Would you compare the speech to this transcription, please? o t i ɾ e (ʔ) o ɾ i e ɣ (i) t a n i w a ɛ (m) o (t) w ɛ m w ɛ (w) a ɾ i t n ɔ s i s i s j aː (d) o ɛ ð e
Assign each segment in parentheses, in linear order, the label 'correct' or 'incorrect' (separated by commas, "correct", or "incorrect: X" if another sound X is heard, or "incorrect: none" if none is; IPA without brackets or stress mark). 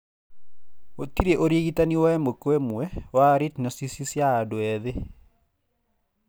correct, correct, correct, incorrect: k, correct, correct